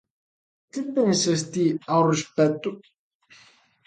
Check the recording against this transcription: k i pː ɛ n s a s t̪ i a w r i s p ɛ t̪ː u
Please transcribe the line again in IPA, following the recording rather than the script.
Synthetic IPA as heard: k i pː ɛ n s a s t̪ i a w r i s p ɛ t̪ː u